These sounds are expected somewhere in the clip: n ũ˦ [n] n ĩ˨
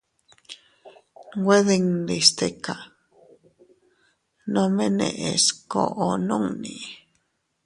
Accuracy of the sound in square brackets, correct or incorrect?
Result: incorrect